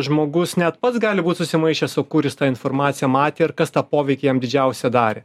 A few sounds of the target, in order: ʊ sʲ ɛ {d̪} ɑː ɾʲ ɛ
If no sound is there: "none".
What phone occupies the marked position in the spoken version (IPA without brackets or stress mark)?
d̪